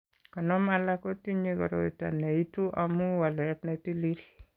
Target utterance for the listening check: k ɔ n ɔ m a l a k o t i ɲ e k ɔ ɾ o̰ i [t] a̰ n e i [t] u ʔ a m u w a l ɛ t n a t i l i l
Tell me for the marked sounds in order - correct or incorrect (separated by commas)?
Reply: correct, correct